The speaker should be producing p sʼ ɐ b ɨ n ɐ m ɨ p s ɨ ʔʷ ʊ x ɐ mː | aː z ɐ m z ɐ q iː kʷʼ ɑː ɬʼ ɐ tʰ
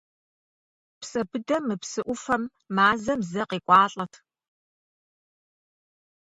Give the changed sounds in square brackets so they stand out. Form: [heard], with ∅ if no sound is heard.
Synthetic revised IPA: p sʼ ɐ b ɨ [d] ɐ m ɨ p s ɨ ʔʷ ʊ [f] ɐ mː | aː z ɐ m z ɐ q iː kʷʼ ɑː ɬʼ ɐ tʰ